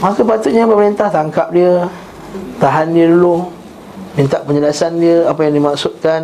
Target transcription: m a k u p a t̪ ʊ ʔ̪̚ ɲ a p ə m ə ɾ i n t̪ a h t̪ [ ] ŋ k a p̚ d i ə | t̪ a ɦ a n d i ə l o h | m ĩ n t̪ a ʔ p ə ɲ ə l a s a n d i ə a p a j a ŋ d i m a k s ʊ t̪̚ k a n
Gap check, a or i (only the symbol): a